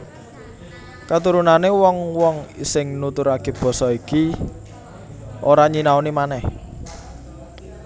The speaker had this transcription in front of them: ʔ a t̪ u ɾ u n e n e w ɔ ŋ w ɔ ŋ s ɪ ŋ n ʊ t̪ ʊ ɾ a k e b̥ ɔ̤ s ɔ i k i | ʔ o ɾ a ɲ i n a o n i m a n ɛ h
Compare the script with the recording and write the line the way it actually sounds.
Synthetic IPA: k a t̪ u ɾ u n a n e w ɔ ŋ w ɔ ŋ s ɪ ŋ n u t̪ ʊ ɾ a k e b̥ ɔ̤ s ɔ i k i | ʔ o ɾ a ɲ i n a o n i m a n ɛ h